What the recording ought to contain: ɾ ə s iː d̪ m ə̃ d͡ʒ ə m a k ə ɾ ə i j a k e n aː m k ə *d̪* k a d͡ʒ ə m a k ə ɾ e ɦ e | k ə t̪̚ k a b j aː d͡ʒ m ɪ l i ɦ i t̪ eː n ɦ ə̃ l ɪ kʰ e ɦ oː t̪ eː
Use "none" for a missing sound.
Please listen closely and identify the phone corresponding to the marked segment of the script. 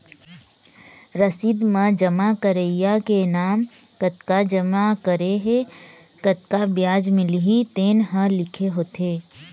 t̪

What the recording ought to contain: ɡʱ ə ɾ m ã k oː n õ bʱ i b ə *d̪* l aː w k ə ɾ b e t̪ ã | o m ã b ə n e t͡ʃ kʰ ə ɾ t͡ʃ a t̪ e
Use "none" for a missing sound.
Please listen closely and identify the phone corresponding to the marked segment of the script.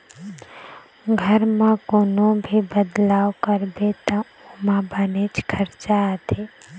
d̪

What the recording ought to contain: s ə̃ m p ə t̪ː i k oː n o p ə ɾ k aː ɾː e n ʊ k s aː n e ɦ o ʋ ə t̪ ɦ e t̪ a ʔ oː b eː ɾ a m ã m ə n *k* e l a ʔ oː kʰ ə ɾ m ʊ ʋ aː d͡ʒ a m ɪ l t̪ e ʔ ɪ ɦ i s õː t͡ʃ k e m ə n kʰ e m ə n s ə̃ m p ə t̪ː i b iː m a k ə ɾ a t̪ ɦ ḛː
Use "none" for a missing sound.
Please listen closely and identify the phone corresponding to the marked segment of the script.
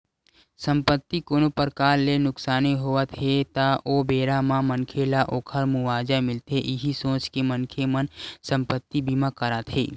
kʰ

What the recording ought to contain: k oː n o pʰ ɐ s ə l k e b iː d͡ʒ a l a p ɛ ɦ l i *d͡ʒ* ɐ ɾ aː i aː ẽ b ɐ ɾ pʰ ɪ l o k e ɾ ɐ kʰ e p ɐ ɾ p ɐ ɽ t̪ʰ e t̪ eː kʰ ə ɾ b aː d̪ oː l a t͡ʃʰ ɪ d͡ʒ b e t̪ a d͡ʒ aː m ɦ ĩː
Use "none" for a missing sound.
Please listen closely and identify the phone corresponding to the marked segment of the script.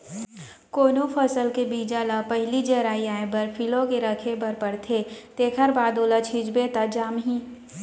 d͡ʒ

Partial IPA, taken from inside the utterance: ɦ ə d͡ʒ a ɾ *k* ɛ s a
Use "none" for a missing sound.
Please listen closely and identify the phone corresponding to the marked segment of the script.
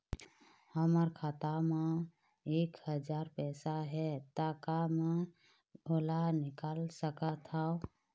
p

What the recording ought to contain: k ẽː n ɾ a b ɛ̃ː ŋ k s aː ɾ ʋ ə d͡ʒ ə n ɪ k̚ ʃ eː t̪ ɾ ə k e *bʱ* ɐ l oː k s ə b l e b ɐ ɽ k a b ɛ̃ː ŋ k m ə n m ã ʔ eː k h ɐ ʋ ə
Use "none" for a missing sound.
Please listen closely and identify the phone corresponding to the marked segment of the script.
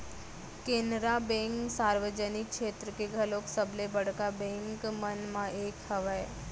ɡʱ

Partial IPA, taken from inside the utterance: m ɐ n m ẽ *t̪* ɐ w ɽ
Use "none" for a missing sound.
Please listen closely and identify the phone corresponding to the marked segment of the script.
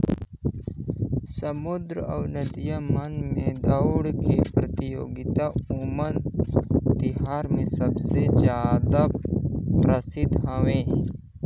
d̪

